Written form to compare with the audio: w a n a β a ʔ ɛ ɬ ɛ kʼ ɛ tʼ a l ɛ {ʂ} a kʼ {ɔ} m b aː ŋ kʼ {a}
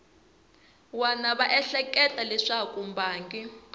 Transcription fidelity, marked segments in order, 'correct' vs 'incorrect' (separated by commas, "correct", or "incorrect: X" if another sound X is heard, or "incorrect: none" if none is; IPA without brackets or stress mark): correct, incorrect: u, incorrect: i